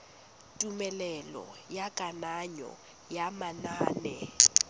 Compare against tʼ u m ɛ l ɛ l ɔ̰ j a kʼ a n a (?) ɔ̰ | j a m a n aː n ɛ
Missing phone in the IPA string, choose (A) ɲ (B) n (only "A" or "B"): A